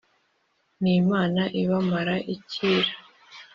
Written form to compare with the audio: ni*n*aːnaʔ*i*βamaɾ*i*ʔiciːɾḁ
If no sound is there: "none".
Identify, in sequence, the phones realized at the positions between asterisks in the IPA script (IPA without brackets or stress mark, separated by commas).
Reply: m, i, a